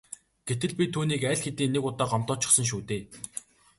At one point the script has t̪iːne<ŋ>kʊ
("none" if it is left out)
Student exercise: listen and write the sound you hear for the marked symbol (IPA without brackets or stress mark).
none